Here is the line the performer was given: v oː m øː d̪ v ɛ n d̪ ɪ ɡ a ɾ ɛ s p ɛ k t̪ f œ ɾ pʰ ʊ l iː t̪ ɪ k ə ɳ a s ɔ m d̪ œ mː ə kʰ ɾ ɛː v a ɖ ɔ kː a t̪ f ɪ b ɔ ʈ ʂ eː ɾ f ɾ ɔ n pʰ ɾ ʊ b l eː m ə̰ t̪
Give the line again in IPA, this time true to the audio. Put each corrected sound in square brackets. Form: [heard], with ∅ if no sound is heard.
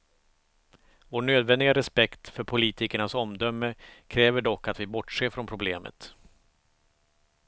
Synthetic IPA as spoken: v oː [ɳ] øː d̪ v ɛ n d̪ ɪ ɡ a ɾ ɛ s p ɛ k t̪ f œ ɾ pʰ ʊ l iː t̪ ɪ k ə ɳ a s ɔ m d̪ œ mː ə kʰ ɾ ɛː v [ə] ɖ ɔ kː a t̪ [v] ɪ b ɔ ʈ ʂ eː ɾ f ɾ ɔ n pʰ ɾ ʊ b l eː m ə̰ t̪